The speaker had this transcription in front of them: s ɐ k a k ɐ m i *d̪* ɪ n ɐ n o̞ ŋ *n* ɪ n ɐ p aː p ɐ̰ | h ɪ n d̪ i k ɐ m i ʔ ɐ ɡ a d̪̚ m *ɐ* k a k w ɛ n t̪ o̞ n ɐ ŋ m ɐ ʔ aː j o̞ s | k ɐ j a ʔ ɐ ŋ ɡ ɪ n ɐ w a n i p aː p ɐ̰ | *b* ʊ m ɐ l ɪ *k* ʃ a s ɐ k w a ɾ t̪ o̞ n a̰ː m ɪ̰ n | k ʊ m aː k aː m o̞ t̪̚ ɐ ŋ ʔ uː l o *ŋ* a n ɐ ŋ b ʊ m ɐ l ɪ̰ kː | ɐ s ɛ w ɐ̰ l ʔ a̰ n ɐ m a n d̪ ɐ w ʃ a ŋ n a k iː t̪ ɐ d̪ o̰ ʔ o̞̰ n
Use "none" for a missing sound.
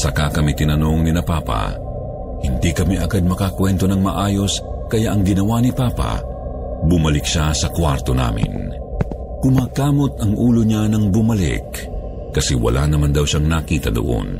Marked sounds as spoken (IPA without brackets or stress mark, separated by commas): t̪, n, ɐ, b, k, ɲ